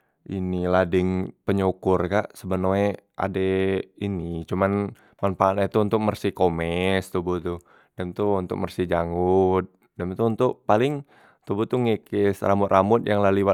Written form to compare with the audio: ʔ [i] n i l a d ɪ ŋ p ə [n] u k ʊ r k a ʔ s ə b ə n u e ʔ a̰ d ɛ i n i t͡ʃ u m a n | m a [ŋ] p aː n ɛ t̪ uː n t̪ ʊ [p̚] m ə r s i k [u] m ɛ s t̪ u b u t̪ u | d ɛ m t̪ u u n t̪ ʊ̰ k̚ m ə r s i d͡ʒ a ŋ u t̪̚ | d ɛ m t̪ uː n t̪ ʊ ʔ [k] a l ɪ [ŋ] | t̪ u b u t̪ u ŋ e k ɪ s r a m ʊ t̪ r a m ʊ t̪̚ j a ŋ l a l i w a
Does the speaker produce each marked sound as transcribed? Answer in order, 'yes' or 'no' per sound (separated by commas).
yes, no, no, no, no, no, yes